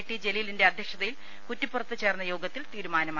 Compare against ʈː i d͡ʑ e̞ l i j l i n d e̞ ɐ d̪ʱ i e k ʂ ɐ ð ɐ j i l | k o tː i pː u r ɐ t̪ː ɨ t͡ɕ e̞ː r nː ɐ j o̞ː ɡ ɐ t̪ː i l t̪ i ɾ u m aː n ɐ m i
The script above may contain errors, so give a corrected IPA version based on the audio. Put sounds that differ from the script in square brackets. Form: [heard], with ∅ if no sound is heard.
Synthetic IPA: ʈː i d͡ʑ e̞ l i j l i n d e̞ ɐ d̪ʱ [j] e k ʂ ɐ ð ɐ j i l | k [u] tː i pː u r ɐ t̪ː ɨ t͡ɕ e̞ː r nː ɐ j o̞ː ɡ ɐ t̪ː i l t̪ [iː] ɾ u m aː n ɐ m [a]